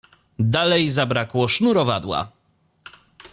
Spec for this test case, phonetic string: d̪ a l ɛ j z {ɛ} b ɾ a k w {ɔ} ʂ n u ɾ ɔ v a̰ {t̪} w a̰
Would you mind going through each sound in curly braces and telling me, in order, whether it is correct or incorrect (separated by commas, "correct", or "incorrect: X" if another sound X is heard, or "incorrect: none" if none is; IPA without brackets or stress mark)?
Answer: incorrect: a, correct, incorrect: d̪